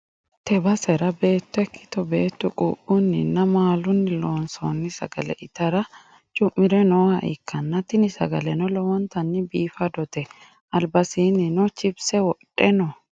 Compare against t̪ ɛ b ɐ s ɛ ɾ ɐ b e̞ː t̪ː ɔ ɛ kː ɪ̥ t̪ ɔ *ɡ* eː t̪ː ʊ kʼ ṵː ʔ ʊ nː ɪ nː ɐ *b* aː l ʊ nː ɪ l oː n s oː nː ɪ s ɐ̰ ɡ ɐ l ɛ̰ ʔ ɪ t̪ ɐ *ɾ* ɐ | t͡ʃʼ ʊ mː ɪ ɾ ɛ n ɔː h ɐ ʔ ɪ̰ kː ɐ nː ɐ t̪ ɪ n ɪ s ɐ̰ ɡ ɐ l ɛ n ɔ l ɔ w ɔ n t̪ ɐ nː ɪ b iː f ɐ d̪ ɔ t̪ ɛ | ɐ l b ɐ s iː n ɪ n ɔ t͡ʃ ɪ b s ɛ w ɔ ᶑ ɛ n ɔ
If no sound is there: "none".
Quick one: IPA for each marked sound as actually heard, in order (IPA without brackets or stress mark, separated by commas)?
b, m, ɾ